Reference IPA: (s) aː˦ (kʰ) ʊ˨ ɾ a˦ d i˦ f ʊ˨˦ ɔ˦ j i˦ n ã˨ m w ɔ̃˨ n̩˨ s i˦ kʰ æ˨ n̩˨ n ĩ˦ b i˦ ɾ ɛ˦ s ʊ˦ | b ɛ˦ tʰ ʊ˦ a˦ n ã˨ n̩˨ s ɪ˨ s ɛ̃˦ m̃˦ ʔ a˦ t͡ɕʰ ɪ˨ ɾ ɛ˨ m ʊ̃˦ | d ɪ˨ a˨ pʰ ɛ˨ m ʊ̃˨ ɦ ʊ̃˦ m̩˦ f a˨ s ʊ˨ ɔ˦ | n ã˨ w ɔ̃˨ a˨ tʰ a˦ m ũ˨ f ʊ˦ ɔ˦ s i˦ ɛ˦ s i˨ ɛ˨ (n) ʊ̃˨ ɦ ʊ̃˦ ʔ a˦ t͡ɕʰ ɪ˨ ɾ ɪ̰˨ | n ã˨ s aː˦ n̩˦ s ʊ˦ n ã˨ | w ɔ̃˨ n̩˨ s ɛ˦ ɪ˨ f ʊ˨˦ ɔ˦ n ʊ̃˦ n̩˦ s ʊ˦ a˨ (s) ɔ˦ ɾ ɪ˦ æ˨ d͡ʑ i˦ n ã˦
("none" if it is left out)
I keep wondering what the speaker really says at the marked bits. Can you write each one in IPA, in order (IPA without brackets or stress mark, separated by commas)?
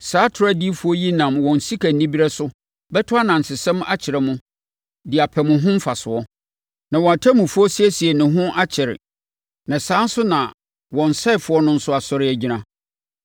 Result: s, tʰ, n, s